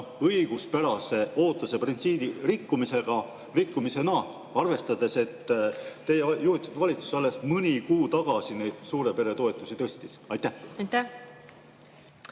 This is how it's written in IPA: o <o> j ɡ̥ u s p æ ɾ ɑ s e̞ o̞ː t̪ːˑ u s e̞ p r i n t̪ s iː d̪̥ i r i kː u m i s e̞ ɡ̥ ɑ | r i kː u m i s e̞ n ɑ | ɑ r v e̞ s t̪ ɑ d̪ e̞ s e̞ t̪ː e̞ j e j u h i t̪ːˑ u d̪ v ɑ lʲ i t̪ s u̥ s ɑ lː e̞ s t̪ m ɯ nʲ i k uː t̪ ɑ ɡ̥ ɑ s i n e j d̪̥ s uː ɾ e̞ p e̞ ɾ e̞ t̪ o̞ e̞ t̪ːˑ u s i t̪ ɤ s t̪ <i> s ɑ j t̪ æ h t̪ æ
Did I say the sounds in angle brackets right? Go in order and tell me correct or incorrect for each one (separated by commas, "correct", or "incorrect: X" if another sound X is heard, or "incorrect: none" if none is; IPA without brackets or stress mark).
incorrect: ɤ, correct